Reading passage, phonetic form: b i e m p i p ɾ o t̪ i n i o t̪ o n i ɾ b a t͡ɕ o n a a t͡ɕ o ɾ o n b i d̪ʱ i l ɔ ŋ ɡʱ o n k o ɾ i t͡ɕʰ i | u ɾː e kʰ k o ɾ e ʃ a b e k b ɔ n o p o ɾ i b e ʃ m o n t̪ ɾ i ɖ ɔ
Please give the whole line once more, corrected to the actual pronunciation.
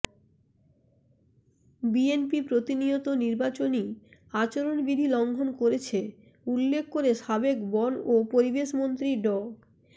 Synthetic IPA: b i e n p i p ɾ o t̪ i n i o t̪ o n i ɾ b a t͡ɕ o n i a t͡ɕ o ɾ o n b i d̪ʱ i l ɔ ŋ ɡʱ o n k o ɾ e t͡ɕʰ e | u lː e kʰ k o ɾ e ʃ a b e k b ɔ n o p o ɾ i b e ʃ m o n t̪ ɾ i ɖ ɔ